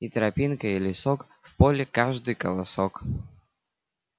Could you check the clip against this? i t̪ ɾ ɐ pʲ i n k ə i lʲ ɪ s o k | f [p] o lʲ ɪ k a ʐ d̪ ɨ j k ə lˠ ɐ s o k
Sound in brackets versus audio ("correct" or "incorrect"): correct